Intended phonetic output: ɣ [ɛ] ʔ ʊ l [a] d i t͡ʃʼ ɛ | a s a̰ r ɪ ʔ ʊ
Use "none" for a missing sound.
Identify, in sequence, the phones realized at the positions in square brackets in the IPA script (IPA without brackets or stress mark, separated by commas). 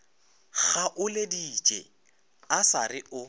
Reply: a, e